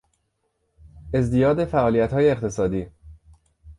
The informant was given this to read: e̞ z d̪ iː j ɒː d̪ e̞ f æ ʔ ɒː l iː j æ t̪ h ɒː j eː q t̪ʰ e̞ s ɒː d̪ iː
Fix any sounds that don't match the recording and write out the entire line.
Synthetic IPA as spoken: e̞ z d̪ i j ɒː d̪ e̞ f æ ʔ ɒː l i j æ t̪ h ɒː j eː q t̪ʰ e̞ s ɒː d̪ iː

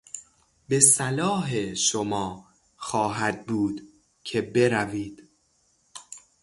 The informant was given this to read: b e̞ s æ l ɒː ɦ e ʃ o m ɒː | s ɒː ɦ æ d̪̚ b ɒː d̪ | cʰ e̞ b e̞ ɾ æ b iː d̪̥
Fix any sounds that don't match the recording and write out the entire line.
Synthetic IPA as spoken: b e̞ s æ l ɒː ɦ e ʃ o m ɒː | x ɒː ɦ æ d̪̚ b uː d̪ | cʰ e̞ b e̞ ɾ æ v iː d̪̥

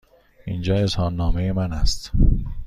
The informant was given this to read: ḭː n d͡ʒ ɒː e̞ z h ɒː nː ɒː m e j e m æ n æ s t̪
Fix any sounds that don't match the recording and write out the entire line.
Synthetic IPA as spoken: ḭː n d͡ʒ ɒː e̞ z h ɒː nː ɒː m e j e m æ n æ s t̪

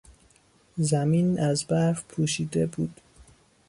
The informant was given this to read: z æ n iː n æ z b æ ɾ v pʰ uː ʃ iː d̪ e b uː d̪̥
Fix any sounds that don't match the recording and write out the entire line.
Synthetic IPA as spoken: z æ m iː n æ z b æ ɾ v pʰ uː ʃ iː d̪ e b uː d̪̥

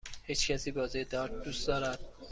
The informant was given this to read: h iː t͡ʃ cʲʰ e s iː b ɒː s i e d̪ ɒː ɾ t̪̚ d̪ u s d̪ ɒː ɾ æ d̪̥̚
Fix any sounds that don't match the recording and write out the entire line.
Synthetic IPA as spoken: h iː t͡ʃ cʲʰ æ s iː b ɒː z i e d̪ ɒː ɾ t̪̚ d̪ u s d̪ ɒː ɾ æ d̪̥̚

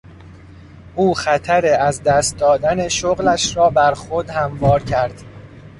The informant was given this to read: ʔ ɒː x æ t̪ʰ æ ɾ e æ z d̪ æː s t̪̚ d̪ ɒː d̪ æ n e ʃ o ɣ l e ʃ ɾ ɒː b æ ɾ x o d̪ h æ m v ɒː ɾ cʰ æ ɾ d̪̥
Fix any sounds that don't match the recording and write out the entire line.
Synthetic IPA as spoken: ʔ uː x æ t̪ʰ æ ɾ e æ z d̪ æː s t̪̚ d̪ ɒː d̪ æ n e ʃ o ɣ l æ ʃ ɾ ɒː b æ ɾ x o d̪ h æ m v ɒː ɾ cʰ æ ɾ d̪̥

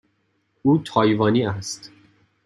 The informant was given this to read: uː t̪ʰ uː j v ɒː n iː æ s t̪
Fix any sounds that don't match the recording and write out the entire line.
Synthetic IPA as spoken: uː t̪ʰ ɒː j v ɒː n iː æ s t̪

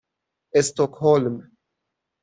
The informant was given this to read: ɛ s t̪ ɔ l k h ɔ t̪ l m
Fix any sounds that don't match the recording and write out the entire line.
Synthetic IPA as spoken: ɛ s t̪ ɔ k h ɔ l m

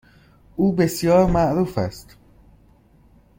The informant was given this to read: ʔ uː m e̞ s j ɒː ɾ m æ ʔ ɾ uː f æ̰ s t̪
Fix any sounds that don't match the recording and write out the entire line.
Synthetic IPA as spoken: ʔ uː b e̞ s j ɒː ɾ m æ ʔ ɾ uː f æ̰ s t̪

